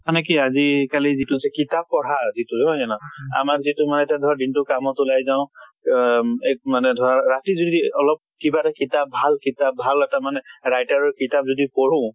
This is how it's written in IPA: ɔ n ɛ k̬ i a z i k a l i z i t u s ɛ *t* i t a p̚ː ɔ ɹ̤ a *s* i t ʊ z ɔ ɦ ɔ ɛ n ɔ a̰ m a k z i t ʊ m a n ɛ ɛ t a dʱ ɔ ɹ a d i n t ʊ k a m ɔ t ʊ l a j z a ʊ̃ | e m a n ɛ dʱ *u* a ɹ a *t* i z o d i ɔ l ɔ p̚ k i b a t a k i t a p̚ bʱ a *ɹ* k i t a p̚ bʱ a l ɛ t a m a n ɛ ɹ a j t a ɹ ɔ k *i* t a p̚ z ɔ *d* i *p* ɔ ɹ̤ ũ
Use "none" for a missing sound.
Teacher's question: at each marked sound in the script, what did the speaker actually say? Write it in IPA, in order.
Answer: k, z, ɔ, t, l, i, d, p

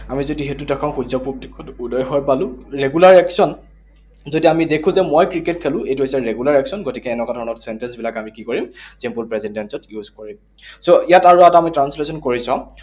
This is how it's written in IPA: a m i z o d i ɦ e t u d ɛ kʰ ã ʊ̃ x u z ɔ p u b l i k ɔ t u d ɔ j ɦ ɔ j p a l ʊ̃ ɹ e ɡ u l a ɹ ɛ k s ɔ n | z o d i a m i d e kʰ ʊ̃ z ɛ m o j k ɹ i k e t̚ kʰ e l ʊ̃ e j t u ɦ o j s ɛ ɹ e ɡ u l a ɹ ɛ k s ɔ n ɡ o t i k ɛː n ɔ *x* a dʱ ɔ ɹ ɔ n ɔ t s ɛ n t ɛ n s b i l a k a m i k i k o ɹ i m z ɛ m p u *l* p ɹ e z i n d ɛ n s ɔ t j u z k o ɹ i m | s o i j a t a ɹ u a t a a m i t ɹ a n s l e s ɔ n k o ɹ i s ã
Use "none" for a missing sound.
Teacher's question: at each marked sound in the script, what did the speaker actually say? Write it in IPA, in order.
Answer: k, l

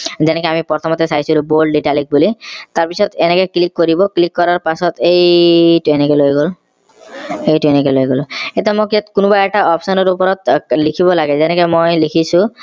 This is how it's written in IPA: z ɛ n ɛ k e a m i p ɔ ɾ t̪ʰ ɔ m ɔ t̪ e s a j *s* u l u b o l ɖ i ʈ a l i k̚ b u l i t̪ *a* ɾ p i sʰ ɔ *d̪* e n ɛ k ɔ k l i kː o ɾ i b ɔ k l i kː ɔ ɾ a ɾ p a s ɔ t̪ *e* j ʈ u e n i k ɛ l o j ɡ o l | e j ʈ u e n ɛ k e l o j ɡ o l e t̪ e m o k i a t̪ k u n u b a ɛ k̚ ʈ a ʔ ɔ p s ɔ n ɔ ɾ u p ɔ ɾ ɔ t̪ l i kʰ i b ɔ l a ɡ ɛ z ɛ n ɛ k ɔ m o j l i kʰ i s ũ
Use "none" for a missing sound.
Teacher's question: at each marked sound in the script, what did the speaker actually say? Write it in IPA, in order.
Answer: s, a, t̪, e

